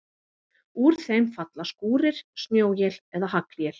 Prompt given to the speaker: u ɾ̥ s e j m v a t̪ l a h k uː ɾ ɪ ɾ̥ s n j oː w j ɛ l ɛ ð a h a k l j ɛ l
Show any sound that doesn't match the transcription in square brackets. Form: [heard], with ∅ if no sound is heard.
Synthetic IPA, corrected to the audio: u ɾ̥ [θ] e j m [f] a t̪ l a [s] k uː ɾ ɪ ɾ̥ s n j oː w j ɛ l ɛ ð a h a k l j ɛ l